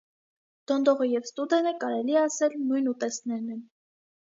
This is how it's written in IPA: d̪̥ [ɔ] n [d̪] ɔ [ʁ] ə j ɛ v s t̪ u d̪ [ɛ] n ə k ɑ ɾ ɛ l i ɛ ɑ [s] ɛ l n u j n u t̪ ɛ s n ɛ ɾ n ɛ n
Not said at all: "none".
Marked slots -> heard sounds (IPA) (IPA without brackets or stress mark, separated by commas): ɔ, d̪, ʁ, ɛ, s